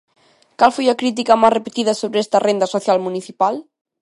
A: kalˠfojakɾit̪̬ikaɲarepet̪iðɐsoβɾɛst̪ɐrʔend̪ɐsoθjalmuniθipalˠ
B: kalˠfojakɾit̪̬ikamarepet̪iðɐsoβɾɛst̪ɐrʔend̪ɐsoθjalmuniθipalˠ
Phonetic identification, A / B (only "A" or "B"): B